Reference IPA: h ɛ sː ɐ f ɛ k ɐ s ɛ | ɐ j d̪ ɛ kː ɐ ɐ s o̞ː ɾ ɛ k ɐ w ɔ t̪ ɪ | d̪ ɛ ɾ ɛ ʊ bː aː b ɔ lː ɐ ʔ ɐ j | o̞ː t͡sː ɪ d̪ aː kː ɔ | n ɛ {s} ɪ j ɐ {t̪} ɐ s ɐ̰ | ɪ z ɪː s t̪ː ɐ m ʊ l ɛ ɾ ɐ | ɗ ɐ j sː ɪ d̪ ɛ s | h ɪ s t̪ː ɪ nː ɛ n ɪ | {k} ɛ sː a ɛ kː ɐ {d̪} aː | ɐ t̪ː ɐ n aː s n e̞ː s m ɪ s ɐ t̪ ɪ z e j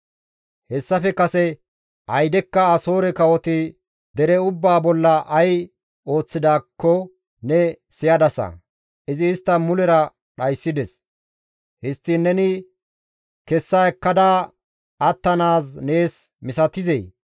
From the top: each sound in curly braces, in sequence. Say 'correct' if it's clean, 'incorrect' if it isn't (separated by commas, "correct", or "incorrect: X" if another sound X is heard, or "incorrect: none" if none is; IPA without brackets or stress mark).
correct, incorrect: d̪, correct, correct